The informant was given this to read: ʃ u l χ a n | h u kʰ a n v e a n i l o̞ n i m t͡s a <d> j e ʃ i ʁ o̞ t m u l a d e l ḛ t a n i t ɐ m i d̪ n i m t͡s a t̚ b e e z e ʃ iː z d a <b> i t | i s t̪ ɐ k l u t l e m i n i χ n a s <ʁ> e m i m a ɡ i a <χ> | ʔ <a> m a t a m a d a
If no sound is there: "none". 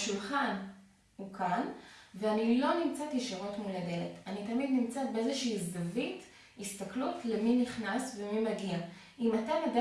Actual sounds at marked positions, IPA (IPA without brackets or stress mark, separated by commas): t, v, v, none, i